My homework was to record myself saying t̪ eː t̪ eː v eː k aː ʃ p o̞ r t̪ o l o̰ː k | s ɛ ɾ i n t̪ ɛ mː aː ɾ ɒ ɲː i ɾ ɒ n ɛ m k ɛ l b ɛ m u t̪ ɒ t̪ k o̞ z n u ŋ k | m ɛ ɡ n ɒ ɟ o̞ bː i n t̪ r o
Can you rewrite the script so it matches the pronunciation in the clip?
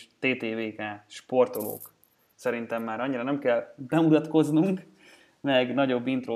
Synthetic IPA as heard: t̪ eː t̪ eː v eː k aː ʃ p o̞ r t̪ o l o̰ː k | s ɛ ɾ i n t̪ ɛ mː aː ɾ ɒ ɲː i ɾ ɒ n ɛ m k ɛ l b ɛ m u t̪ ɒ t̪ k o̞ z n u ŋ k | m ɛ ɡ n ɒ ɟ o̞ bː i n t̪ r o